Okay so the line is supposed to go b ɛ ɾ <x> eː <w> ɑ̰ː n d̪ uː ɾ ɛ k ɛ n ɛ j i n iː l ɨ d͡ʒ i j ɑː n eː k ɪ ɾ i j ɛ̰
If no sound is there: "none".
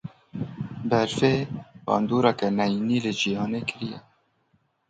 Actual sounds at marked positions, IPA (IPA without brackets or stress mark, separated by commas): f, b